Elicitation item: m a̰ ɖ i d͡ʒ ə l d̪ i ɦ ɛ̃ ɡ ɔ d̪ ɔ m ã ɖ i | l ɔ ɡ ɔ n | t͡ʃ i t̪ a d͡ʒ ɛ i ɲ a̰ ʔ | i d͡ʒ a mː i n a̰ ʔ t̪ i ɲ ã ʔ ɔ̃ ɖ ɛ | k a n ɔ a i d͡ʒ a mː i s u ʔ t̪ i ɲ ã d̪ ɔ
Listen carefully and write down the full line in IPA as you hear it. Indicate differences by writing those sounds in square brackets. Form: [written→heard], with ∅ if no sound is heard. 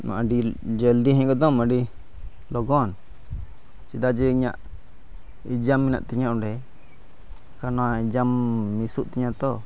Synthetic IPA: m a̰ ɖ i d͡ʒ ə l d̪ i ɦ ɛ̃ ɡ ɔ d̪ ɔ m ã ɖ i | l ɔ ɡ ɔ n | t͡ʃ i [t̪→d̪] a d͡ʒ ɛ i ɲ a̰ ʔ | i d͡ʒ a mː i n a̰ ʔ t̪ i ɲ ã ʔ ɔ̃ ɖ ɛ | k a n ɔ a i d͡ʒ a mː i s u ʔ t̪ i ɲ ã [d̪→t̪] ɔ